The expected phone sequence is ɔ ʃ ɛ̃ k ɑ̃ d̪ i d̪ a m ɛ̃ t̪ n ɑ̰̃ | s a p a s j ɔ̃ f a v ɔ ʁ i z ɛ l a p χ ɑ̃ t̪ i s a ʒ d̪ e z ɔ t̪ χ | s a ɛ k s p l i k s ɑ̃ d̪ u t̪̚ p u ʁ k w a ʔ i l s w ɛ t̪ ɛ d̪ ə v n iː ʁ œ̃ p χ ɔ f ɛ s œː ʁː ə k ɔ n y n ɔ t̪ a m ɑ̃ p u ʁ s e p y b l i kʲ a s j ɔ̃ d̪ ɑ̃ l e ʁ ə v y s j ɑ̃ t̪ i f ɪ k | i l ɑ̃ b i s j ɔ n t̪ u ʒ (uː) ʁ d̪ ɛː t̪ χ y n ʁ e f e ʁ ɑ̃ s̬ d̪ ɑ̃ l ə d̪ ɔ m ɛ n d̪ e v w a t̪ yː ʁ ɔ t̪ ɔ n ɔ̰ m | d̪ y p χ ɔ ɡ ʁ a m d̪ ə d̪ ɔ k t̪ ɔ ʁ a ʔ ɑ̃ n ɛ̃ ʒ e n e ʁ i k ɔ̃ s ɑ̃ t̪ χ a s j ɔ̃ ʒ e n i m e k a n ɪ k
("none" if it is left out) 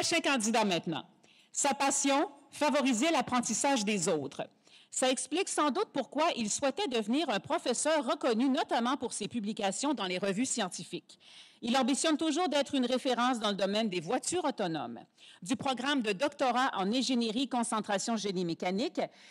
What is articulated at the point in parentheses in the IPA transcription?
uː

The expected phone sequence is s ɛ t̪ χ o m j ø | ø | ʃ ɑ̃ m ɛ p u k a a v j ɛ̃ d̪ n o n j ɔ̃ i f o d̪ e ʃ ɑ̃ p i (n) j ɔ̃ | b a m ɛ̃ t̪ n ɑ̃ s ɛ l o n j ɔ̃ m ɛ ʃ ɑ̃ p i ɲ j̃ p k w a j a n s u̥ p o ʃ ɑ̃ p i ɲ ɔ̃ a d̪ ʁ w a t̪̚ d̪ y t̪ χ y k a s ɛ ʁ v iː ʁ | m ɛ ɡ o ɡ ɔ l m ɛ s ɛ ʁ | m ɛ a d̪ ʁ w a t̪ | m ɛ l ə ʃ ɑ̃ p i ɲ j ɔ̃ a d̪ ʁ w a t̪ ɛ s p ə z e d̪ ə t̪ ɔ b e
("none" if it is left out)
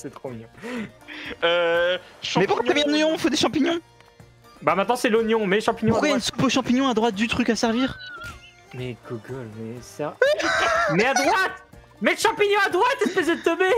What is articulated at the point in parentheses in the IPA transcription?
ɲ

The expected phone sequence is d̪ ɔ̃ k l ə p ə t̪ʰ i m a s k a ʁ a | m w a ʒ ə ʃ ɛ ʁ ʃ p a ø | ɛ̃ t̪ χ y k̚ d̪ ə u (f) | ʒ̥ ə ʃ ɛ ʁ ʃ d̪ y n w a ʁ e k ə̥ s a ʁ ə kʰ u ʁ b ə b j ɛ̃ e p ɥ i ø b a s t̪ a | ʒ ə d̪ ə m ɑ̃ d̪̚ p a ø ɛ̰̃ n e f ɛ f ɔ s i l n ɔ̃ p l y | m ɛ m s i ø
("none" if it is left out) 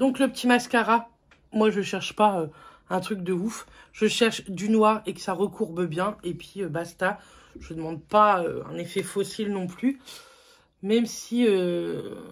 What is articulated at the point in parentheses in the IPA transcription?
f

